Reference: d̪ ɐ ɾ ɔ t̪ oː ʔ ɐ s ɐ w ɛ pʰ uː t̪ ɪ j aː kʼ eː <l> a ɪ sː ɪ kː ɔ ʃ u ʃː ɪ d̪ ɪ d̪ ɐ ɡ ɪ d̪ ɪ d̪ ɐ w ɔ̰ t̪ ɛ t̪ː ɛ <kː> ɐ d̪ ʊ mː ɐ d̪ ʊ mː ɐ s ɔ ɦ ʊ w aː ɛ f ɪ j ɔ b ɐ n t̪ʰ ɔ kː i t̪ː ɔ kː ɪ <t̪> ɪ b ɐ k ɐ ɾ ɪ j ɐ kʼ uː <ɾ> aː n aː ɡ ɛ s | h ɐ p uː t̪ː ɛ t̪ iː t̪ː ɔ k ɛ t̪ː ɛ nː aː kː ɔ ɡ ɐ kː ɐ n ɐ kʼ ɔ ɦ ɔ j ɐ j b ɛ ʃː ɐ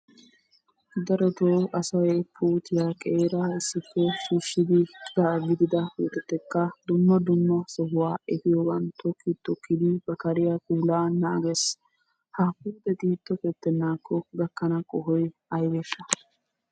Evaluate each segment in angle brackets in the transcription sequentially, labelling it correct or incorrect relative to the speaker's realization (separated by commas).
incorrect, correct, incorrect, incorrect